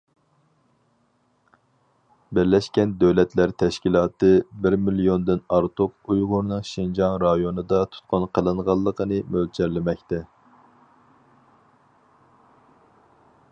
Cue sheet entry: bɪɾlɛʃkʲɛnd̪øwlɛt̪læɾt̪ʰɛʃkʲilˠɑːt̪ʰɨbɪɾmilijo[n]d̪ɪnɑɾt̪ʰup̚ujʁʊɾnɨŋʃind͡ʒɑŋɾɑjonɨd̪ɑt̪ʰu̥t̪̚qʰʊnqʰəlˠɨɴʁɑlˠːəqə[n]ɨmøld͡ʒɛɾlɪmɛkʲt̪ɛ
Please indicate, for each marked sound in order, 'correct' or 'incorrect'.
correct, correct

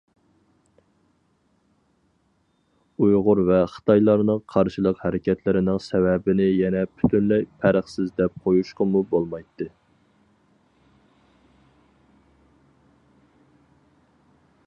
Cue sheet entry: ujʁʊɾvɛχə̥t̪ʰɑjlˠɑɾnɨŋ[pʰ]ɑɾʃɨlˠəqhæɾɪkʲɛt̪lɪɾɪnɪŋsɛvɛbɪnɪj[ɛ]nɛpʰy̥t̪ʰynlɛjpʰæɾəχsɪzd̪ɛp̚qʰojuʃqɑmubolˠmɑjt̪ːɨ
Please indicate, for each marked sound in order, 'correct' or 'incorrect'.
incorrect, correct

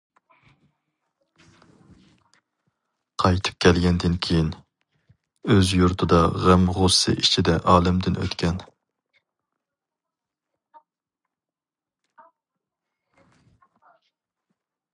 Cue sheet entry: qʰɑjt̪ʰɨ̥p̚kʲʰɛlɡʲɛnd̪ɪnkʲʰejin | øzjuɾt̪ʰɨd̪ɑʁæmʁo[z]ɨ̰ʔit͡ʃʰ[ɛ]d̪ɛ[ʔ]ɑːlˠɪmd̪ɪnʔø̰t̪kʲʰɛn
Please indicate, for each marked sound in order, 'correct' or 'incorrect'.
incorrect, incorrect, correct

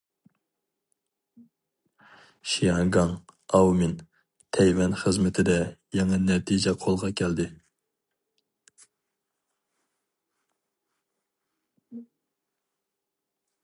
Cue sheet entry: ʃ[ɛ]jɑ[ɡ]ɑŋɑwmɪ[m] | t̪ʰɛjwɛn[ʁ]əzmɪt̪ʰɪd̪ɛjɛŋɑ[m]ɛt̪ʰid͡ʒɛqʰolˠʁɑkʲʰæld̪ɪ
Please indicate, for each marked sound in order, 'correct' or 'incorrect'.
incorrect, correct, incorrect, incorrect, incorrect

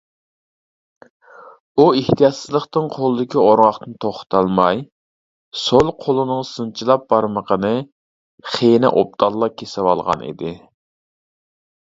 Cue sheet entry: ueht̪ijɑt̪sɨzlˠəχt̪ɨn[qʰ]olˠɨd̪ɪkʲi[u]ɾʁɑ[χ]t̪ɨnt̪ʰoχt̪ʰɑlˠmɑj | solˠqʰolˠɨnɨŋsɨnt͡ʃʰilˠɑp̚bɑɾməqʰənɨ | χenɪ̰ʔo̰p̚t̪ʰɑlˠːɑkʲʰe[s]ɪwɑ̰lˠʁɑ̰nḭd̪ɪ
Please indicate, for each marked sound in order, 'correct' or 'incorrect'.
correct, incorrect, correct, correct

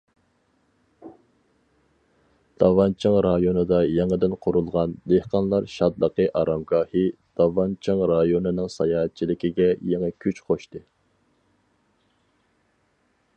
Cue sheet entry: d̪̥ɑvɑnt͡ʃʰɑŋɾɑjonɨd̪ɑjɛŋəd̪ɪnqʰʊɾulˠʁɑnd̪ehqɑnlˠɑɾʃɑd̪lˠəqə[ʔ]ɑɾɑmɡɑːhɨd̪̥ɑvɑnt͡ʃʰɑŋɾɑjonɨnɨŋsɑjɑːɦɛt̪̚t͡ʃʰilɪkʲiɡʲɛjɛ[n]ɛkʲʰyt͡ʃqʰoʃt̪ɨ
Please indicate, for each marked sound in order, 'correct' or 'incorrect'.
correct, incorrect

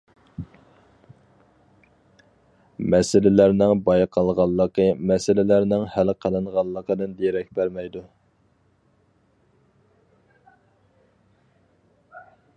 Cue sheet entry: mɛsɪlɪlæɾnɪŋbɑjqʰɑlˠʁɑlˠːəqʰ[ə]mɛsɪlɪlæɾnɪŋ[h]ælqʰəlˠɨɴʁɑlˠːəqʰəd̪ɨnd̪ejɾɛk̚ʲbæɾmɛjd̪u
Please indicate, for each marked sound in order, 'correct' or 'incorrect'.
correct, correct

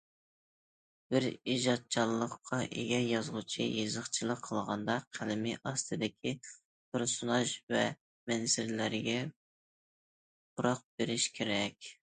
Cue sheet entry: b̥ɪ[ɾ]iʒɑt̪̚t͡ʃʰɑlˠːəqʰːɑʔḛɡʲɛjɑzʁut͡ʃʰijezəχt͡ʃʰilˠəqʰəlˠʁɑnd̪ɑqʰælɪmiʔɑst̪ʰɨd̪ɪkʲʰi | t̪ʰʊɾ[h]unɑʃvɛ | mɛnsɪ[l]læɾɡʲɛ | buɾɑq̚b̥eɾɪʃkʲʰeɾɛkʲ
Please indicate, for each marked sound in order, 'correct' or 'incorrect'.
correct, incorrect, incorrect

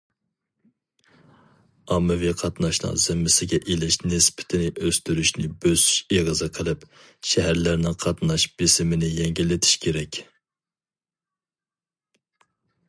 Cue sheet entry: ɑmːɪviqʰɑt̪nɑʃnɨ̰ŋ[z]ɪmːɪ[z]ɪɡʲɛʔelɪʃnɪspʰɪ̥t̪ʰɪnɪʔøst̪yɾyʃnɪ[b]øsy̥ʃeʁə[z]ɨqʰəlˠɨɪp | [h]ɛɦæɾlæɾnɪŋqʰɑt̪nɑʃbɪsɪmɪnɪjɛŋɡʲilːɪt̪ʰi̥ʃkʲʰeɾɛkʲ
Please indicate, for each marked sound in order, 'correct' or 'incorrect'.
correct, incorrect, correct, correct, incorrect

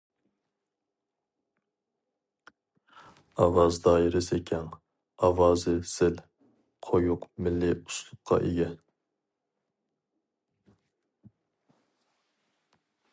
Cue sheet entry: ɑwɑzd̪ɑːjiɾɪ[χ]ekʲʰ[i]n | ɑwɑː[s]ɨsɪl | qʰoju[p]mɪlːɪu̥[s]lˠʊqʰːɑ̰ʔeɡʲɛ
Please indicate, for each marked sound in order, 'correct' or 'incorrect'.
incorrect, incorrect, incorrect, incorrect, correct

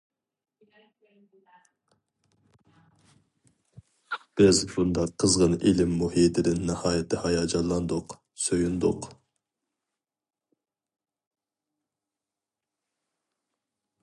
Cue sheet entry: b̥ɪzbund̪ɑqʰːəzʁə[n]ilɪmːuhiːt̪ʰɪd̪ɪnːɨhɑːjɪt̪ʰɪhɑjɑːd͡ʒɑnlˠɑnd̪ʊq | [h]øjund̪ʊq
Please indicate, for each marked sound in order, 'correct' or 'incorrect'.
correct, incorrect

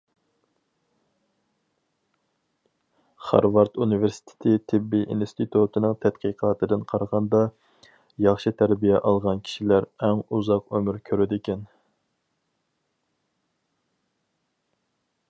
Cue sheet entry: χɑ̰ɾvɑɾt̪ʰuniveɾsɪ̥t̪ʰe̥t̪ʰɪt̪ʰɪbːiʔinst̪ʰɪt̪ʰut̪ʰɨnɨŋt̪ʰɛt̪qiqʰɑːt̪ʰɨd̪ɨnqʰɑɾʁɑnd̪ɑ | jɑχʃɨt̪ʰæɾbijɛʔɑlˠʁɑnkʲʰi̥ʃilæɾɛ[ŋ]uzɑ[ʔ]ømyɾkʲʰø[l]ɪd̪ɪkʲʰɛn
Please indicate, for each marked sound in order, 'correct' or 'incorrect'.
correct, incorrect, incorrect

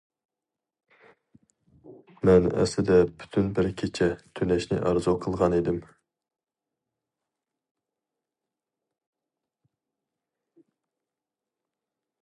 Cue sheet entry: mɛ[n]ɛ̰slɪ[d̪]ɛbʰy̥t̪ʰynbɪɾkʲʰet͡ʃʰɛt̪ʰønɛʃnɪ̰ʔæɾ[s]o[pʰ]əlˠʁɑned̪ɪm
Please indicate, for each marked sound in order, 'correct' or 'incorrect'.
correct, correct, incorrect, incorrect

